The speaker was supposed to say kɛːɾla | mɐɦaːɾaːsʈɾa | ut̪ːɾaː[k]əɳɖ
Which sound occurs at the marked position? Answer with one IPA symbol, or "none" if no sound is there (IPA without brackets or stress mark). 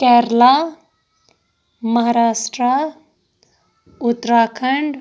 kʰ